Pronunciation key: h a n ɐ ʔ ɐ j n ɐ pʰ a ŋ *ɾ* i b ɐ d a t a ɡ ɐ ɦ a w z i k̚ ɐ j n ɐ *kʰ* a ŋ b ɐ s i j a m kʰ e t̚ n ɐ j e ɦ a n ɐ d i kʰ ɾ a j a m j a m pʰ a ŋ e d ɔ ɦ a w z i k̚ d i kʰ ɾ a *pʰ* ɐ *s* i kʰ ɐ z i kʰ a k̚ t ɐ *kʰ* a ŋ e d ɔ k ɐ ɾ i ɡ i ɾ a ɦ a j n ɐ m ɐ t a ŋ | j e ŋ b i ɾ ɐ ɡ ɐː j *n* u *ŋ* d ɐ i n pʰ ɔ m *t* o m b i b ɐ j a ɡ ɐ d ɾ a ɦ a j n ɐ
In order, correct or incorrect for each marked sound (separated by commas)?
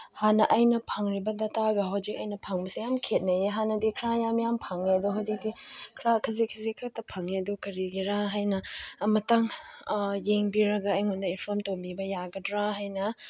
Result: correct, incorrect, incorrect, incorrect, incorrect, incorrect, incorrect, correct